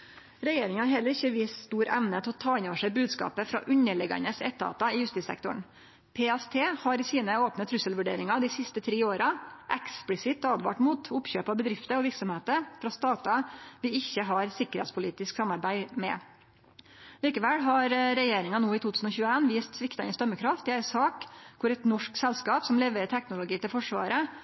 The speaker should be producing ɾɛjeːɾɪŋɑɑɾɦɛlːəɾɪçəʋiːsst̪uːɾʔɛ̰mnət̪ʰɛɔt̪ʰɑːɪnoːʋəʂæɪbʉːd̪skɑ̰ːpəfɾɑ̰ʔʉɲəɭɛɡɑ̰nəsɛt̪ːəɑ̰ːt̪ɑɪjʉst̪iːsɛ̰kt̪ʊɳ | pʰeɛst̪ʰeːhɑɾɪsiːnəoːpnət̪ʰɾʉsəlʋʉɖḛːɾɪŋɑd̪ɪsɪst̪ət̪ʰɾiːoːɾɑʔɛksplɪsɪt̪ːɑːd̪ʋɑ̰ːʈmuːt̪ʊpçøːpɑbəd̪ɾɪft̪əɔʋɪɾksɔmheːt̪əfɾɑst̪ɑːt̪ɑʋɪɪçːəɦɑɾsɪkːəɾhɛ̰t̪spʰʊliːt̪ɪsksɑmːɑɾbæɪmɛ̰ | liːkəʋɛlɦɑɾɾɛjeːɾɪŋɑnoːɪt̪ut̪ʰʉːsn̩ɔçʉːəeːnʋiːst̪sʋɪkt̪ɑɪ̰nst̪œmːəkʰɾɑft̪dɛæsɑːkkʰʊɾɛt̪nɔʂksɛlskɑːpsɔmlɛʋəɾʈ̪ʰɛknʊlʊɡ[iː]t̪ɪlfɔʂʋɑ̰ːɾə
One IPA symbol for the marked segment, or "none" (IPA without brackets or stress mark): iː